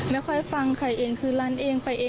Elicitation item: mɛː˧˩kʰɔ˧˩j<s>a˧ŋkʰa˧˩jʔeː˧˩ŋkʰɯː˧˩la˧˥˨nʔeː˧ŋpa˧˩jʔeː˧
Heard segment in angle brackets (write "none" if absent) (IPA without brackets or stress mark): f